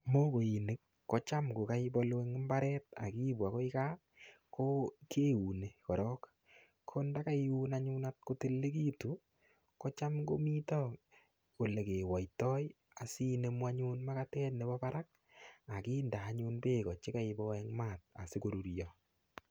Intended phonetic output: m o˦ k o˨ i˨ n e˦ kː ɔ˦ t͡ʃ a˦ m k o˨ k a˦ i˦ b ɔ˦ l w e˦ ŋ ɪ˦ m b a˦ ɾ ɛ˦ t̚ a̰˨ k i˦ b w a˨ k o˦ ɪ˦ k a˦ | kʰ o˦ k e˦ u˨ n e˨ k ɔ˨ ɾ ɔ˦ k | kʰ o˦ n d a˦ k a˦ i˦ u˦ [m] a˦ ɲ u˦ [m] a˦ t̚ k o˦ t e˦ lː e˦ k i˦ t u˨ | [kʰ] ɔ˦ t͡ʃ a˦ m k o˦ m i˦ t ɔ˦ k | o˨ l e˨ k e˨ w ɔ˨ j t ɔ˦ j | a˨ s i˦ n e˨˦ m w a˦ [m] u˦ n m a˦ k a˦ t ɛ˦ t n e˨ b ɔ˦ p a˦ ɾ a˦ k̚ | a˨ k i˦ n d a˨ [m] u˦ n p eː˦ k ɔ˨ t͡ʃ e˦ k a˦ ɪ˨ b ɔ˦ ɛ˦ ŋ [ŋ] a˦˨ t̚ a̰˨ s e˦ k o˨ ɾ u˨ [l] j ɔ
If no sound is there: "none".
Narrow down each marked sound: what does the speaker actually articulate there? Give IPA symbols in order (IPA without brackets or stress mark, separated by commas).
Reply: n, n, k, ɲ, ɲ, m, ɾ